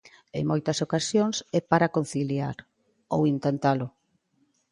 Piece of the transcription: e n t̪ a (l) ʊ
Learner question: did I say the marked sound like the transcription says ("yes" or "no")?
yes